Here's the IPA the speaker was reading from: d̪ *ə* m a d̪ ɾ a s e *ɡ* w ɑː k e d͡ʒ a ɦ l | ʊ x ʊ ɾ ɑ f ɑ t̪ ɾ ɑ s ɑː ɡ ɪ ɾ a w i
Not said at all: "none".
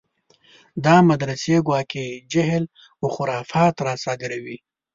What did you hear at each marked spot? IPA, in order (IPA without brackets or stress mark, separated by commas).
ɑ, ɡ